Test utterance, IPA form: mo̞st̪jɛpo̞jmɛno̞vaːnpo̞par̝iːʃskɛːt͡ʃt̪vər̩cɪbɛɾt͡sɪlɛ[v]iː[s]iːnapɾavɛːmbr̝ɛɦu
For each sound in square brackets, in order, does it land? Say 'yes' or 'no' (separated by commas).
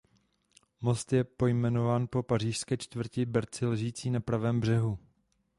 no, no